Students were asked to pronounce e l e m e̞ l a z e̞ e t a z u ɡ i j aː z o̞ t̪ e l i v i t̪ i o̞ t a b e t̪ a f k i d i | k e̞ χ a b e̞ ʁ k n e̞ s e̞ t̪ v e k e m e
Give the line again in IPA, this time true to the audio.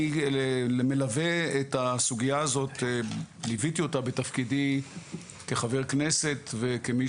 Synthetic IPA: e l e m e̞ l a v e̞ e t a s u ɡ i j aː z o̞ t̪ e l i v i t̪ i o̞ t a b e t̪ a f k i d i | k e̞ χ a v e̞ ʁ k n e̞ s e̞ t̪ v e k e m i